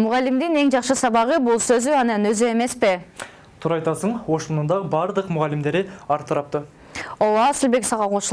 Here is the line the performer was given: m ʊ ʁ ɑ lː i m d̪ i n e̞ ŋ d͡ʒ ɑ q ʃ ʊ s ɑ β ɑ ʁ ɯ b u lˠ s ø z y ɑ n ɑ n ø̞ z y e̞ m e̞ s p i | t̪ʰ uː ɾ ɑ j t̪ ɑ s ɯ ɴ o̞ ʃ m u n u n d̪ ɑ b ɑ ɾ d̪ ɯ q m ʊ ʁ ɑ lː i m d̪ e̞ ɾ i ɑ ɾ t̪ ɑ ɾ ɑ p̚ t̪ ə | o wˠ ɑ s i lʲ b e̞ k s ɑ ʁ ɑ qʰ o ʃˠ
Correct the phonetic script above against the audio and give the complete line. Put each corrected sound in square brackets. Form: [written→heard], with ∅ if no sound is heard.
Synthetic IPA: m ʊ ʁ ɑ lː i m d̪ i n e̞ ŋ d͡ʒ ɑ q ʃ [ʊ→ɯ] s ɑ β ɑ ʁ ɯ b u lˠ s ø z y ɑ n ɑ n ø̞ z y e̞ m e̞ s p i | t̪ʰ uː ɾ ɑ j t̪ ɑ s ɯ ɴ o̞ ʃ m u n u n d̪ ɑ b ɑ ɾ d̪ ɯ q m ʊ ʁ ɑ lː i m d̪ e̞ ɾ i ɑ ɾ t̪ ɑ ɾ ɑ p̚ t̪ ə | o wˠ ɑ s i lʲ b e̞ k s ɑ ʁ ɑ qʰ o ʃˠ